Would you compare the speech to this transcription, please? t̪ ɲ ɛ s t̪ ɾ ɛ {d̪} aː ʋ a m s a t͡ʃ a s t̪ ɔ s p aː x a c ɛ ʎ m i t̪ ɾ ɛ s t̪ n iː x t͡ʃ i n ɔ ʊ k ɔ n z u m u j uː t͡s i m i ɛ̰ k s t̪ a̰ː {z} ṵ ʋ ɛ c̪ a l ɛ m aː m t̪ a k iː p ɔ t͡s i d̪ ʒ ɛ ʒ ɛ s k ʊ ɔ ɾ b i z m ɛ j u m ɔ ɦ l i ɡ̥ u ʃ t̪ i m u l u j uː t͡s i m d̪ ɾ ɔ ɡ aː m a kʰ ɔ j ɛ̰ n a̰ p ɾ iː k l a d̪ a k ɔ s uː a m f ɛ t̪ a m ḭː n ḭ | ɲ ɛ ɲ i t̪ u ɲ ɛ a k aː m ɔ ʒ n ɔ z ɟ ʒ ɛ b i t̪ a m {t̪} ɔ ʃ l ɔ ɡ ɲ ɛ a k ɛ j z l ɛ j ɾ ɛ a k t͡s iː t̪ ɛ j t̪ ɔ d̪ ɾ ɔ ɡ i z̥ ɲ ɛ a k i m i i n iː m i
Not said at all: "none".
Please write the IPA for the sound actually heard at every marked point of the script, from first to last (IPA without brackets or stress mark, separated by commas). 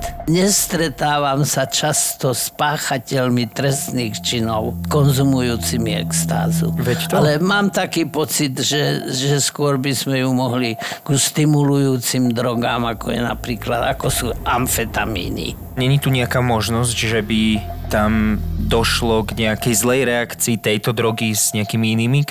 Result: t̪, z, d̪